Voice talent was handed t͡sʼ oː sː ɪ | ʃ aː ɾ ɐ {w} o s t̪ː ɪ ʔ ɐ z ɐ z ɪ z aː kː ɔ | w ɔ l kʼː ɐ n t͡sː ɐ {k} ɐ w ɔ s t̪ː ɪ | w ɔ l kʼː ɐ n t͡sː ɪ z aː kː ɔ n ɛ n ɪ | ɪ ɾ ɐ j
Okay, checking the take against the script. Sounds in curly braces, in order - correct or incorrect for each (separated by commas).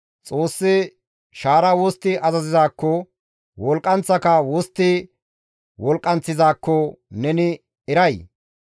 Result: correct, correct